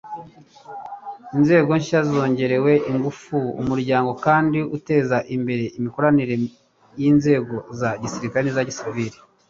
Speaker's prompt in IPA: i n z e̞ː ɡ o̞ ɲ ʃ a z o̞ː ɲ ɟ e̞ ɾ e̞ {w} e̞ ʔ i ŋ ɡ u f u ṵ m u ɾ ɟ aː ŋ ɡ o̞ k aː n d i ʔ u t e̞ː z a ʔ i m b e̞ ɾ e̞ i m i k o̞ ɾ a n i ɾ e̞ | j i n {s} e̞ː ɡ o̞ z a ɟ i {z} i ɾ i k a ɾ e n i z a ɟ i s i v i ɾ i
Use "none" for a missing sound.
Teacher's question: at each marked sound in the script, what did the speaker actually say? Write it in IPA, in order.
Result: w, z, s

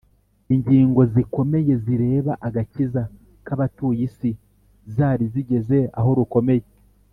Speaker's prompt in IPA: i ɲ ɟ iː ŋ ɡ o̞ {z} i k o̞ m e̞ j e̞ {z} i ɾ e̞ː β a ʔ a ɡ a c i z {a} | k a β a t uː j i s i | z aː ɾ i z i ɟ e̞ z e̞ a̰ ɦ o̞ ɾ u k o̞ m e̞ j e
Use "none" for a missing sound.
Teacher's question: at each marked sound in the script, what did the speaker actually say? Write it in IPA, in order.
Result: z, z, a

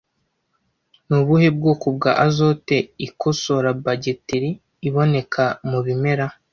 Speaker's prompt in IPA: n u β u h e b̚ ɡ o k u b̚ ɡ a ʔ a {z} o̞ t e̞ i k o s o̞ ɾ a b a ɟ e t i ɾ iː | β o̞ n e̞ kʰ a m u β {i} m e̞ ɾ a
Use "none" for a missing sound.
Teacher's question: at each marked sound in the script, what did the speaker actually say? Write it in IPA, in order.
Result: z, i

